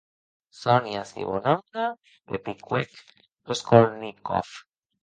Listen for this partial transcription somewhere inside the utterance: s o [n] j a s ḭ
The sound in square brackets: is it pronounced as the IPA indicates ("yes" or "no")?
yes